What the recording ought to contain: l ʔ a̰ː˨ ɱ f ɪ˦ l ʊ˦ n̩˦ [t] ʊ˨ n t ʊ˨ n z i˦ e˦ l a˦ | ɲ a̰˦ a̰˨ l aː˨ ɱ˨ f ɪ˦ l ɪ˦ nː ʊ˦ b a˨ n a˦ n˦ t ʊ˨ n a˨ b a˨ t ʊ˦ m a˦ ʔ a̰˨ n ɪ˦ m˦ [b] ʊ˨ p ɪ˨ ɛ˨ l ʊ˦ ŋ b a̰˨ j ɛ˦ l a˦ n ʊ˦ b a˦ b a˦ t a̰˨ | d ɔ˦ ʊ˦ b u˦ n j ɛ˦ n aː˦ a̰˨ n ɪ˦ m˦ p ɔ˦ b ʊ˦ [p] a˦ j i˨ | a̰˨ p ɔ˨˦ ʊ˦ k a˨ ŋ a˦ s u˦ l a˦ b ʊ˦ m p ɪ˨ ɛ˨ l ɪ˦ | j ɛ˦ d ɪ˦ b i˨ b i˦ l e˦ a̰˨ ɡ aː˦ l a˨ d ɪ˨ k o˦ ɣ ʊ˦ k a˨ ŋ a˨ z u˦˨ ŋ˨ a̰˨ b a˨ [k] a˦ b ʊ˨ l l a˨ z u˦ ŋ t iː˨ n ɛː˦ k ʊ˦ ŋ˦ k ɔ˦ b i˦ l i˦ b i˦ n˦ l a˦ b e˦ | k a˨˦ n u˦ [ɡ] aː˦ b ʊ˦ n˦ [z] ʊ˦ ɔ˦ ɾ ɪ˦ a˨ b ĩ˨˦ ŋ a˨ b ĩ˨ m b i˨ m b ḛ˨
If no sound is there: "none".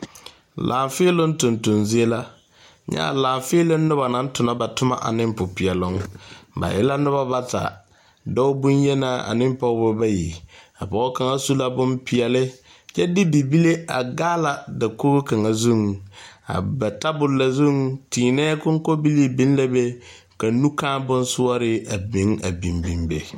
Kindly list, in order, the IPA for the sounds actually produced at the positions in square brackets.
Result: t, p, b, t, k, s

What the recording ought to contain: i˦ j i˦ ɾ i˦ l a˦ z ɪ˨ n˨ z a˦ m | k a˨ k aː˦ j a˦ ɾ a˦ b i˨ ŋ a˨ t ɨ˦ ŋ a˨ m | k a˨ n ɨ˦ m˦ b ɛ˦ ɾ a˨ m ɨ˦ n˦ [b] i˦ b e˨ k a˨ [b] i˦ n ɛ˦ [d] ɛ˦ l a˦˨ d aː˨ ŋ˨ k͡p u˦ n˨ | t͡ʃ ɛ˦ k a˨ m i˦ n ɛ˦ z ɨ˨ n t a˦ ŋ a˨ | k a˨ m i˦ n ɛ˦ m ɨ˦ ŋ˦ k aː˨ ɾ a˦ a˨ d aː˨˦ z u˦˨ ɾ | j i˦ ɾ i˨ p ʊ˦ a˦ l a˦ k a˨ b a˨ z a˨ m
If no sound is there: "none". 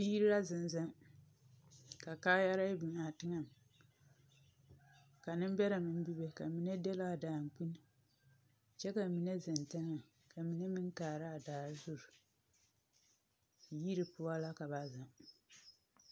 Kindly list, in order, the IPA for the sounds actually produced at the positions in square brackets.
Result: b, m, d

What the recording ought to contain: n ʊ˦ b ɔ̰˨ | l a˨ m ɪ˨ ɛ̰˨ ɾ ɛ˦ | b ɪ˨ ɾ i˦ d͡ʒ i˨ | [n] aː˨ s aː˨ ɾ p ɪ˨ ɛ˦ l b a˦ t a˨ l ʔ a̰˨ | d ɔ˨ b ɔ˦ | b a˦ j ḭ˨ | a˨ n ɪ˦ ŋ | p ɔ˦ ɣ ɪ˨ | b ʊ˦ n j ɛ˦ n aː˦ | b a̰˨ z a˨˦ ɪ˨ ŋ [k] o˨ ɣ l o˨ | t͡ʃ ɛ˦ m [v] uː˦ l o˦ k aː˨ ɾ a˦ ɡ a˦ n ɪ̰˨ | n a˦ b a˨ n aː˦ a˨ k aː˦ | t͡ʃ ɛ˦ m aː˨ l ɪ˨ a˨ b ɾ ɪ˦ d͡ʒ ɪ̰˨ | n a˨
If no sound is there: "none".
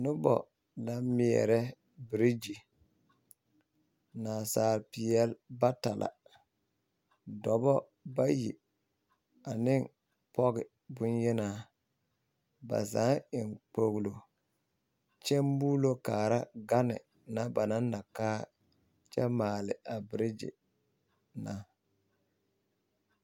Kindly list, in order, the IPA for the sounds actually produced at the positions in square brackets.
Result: n, k͡p, b

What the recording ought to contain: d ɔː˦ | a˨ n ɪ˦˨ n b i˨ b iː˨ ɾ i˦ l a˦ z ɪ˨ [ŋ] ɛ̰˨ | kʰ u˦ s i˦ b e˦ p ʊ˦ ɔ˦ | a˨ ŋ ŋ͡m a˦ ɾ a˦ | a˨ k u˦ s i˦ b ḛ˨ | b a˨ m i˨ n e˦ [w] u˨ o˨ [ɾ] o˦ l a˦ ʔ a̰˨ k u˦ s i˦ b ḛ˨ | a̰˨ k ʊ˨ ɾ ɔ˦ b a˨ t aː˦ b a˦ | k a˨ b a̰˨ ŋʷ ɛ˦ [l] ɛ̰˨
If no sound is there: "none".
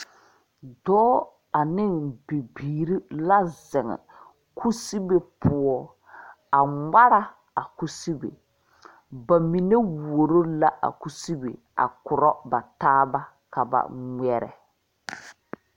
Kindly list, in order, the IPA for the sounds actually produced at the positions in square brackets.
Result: ŋ, w, ɾ, ɾ

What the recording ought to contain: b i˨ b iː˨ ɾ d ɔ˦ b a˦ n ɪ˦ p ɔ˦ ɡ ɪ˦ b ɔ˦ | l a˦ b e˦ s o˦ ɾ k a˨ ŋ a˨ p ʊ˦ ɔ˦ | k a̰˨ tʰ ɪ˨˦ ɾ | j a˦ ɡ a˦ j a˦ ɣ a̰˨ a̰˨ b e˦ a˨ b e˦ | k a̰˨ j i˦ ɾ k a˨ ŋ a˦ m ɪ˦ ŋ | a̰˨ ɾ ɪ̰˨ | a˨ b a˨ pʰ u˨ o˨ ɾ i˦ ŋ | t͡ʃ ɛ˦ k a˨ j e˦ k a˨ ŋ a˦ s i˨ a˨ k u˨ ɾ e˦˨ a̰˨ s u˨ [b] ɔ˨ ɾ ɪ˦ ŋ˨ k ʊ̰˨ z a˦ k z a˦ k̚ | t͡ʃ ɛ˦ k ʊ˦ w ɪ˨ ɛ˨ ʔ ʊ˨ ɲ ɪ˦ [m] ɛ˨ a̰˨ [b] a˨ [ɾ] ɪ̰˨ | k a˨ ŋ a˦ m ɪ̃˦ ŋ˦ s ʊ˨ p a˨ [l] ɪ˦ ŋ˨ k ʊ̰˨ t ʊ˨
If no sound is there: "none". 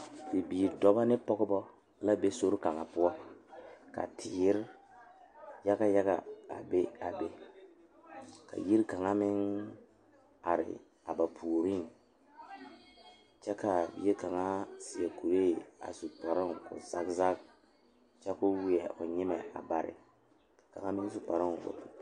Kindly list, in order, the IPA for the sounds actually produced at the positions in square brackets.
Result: p, m, b, ɾ, ɾ

